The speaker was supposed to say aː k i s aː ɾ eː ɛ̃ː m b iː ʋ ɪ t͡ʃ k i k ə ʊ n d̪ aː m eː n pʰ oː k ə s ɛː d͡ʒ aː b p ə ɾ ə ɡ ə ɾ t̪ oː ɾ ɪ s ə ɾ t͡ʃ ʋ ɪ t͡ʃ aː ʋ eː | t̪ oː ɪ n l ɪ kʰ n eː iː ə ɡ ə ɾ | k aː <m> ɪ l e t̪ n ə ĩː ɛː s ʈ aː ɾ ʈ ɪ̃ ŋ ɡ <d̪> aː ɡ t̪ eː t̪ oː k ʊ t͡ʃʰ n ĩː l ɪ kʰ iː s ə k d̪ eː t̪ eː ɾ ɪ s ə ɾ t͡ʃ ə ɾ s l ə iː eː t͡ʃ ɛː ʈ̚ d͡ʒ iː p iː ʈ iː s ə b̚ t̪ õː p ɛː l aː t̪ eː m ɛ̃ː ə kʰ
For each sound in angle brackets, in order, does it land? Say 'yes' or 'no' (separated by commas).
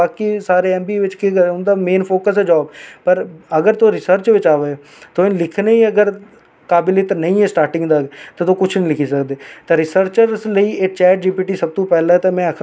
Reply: no, yes